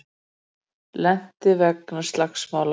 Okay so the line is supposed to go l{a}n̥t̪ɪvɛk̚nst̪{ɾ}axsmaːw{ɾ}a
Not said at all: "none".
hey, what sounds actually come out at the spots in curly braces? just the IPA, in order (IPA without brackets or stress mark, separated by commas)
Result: ɛ, l, l